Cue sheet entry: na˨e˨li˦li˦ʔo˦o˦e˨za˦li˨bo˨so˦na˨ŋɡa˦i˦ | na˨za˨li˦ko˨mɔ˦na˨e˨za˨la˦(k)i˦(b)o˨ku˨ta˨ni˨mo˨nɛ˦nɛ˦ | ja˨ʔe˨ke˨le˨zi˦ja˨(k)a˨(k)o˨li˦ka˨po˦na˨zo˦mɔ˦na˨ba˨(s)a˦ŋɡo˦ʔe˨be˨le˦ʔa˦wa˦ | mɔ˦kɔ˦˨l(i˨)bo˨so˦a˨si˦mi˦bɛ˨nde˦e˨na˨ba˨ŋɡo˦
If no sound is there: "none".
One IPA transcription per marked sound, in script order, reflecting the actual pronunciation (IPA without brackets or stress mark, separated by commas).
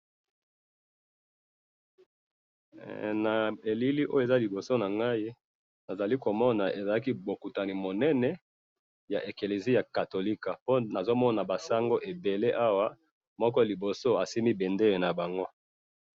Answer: k, b, k, t, s, i˨